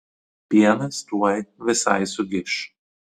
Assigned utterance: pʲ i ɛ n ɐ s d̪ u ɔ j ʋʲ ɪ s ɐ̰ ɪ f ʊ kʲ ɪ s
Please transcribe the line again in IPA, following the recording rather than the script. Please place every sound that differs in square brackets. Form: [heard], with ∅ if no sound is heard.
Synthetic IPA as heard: pʲ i ɛ n ɐ s [t̪] u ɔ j ʋʲ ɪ s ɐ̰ ɪ [s] ʊ [ɡʲ] ɪ [ʃ]